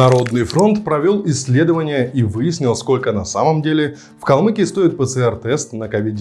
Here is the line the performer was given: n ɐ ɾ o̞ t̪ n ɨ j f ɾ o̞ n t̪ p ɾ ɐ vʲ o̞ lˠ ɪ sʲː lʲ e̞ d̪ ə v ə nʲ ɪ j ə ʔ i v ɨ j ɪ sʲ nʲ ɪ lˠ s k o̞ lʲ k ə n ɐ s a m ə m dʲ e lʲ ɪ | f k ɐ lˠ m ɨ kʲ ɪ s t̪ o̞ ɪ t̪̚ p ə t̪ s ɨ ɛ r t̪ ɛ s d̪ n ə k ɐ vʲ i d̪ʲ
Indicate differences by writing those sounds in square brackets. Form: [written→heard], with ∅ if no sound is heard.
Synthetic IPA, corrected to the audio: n ɐ ɾ o̞ [t̪→d̪] n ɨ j f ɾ o̞ n t̪ p ɾ ɐ vʲ o̞ lˠ ɪ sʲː lʲ e̞ d̪ ə v ə nʲ ɪ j ə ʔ i v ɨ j ɪ sʲ nʲ ɪ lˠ s k o̞ lʲ k ə n ɐ s a m ə m dʲ e lʲ ɪ | f k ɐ lˠ m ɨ kʲ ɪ s t̪ o̞ ɪ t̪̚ p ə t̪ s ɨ ɛ r t̪ ɛ s [d̪→t̪] n ə k ɐ vʲ i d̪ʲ